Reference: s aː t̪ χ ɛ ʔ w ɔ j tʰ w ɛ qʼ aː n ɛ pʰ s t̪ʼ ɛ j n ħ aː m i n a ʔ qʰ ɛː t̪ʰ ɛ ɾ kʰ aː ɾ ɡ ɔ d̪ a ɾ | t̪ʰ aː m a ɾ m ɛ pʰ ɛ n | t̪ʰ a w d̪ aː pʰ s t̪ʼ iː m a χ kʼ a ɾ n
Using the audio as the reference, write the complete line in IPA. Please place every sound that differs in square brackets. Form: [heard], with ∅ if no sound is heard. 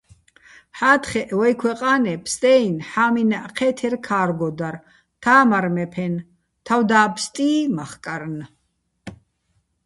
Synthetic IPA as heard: [ħ] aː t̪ χ ɛ ʔ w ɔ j [kʰ] w ɛ qʼ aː n ɛ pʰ s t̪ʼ ɛ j n ħ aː m i n a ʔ qʰ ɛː t̪ʰ ɛ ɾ kʰ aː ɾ ɡ ɔ d̪ a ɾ | t̪ʰ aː m a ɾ m ɛ pʰ ɛ n | t̪ʰ a w d̪ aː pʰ s t̪ʼ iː m a χ kʼ a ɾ n